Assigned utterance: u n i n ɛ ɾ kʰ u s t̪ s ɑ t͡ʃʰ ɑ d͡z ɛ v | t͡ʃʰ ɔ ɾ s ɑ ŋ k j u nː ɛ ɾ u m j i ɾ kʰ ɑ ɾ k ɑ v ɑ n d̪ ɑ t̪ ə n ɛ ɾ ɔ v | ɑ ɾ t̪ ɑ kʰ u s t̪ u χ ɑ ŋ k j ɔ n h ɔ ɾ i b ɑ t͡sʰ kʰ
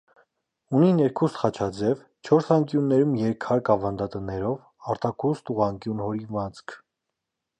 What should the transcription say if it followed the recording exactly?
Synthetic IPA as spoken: u n i n ɛ ɾ kʰ u s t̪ χ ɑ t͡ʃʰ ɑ d͡z ɛ v | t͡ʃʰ ɔ ɾ s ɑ ŋ k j u nː ɛ ɾ u m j ɛ ɾ kʰ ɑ ɾ k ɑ v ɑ n d̪ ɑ t̪ ə n ɛ ɾ ɔ v | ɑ ɾ t̪ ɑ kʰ u s t̪ u ʁ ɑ ŋ k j u n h ɔ ɾ i v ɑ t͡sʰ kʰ

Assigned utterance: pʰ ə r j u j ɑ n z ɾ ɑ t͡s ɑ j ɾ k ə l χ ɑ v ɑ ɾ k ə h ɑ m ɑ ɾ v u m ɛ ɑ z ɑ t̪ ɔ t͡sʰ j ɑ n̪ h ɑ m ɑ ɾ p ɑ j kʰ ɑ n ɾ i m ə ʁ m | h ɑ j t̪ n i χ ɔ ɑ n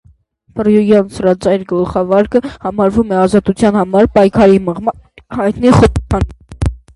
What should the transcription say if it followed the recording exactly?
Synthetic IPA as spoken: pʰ ə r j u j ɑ n s ɾ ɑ t͡s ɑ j ɾ ɡ ə l χ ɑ v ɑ ɾ k ə h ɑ m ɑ ɾ v u m ɛ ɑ z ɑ t̪ u t͡sʰ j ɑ n̪ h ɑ m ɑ ɾ p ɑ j kʰ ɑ ɾ i m ə ʁ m | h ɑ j t̪ n i χ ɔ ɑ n

